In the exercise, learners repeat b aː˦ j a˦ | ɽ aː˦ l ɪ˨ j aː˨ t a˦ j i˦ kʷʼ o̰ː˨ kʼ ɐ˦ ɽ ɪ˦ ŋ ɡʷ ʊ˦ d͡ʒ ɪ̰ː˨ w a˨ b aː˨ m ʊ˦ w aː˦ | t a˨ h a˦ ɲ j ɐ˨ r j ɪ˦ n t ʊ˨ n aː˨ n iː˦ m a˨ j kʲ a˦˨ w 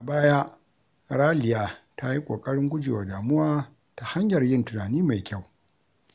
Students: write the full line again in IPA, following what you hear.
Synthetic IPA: b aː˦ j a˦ | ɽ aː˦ l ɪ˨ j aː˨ t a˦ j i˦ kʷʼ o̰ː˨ kʼ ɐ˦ ɽ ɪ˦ ŋ ɡʷ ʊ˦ d͡ʒ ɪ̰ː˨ w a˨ d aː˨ m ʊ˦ w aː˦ | t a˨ h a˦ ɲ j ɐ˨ r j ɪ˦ n t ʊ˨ n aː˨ n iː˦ m a˨ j kʲ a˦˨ w